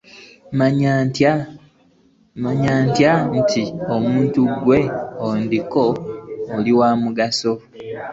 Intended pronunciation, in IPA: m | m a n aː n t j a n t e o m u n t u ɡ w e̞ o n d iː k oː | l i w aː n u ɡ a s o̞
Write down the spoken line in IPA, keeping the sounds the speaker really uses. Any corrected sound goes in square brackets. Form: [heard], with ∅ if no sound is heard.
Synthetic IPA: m | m a [ɲ] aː n t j a n t [i] o m [uː] n t u ɡ w e̞ o n d [i] k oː | l i w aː [m] u ɡ a s o̞